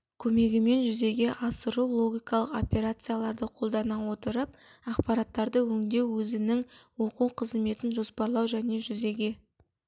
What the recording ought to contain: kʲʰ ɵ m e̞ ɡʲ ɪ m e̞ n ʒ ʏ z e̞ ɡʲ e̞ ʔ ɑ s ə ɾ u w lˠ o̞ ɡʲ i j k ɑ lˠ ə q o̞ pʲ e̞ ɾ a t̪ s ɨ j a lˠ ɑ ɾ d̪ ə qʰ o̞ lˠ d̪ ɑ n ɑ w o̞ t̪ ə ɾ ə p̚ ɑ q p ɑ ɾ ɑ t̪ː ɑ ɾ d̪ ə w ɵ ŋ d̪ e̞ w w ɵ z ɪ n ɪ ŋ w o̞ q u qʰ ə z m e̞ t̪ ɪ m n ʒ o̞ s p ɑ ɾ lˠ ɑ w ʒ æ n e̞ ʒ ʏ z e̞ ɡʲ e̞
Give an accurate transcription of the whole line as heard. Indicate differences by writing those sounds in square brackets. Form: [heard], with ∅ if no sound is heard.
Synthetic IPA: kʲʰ ɵ m e̞ ɡʲ ɪ m e̞ n ʒ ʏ z e̞ ɡʲ e̞ ʔ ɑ s ə ɾ u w lˠ o̞ ɡʲ i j k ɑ lˠ ə q o̞ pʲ e̞ ɾ a t̪ s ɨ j a lˠ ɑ ɾ d̪ ə qʰ o̞ lˠ d̪ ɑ n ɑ w o̞ t̪ ə ɾ ə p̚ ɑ q p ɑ ɾ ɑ t̪ː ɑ ɾ d̪ ə w ɵ ŋ d̪ e̞ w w ɵ z ɪ n ɪ ŋ w o̞ q u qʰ ə z m e̞ t̪ ɪ [∅] n ʒ o̞ s p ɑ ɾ lˠ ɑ w ʒ æ n e̞ ʒ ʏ z e̞ ɡʲ e̞